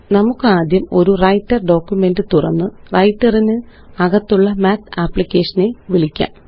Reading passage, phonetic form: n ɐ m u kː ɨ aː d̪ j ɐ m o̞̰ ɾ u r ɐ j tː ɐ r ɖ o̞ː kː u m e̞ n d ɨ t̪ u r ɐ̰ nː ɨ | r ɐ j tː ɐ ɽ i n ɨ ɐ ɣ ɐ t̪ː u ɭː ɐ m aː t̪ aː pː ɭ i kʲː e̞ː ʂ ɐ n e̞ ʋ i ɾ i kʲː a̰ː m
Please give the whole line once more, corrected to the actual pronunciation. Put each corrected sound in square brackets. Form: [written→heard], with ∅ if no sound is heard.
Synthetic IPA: n ɐ m u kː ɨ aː d̪ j ɐ m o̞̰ ɾ u r ɐ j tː ɐ r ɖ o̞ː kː u m e̞ n d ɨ t̪ u r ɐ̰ nː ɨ | r ɐ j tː ɐ [ɽ→r] i n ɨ ɐ ɣ ɐ t̪ː u ɭː ɐ m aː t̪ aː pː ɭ i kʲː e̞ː ʂ ɐ n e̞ ʋ i [ɾ→ɭ] i kʲː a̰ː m